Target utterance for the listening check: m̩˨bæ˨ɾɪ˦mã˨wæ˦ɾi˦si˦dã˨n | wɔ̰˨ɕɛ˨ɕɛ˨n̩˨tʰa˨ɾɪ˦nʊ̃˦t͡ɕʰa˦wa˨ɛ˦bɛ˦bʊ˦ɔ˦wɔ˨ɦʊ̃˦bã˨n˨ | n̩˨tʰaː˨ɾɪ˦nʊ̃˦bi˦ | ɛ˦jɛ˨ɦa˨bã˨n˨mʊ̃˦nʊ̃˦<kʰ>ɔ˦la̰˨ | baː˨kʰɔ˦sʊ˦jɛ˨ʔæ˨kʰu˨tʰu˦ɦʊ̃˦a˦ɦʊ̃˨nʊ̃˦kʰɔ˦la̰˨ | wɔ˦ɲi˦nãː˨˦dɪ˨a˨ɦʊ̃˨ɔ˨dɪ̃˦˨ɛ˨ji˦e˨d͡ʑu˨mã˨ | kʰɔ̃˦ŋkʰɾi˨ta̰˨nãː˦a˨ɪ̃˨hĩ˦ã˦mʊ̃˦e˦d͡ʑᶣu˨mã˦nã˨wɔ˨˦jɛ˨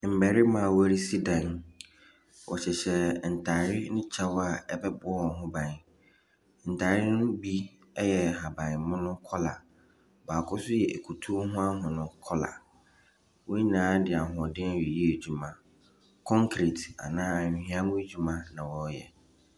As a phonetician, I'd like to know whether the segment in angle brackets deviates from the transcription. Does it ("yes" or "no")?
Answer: no